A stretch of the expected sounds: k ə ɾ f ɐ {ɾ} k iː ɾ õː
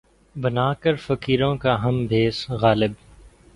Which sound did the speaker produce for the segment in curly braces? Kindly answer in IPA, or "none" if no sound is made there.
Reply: none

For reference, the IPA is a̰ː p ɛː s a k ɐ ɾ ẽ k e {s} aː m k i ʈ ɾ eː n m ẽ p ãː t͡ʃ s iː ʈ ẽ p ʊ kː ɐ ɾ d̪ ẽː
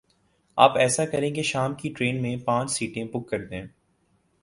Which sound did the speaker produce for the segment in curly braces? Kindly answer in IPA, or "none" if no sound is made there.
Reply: ʃ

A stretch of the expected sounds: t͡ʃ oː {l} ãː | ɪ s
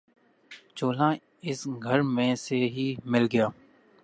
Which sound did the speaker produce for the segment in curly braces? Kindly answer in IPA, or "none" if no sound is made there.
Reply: l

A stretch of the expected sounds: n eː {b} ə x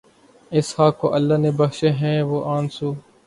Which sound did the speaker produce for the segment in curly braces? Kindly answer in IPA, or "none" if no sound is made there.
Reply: b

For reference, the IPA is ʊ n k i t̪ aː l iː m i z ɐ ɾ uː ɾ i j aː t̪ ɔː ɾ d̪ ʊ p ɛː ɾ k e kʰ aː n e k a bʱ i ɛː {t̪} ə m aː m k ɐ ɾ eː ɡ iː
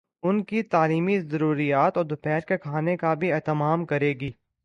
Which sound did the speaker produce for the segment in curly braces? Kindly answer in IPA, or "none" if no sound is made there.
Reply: t̪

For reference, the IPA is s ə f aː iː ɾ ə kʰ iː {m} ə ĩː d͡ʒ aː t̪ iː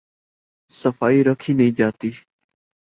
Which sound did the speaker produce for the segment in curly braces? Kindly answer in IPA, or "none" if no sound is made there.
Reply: n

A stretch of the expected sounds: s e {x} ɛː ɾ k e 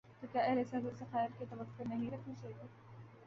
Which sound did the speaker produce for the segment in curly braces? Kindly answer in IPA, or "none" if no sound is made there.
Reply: x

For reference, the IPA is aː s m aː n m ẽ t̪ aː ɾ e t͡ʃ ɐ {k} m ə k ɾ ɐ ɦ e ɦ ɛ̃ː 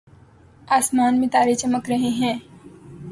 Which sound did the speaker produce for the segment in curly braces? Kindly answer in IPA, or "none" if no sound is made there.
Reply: none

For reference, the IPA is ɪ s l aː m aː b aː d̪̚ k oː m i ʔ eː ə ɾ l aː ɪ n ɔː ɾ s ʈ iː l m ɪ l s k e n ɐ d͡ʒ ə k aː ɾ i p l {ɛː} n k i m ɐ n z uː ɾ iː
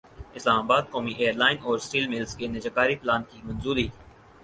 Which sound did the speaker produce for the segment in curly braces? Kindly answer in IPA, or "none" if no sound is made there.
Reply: aː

